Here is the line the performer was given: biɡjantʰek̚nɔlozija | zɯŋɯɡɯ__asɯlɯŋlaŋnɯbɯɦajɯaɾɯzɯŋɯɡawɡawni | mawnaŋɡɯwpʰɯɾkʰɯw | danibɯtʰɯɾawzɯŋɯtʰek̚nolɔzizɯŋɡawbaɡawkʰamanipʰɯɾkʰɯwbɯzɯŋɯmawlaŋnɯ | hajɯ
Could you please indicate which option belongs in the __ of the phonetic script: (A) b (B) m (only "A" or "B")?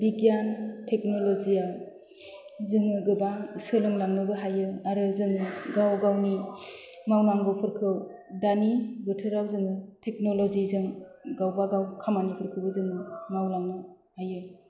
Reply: A